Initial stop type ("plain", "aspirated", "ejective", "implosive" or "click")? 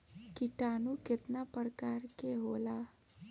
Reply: plain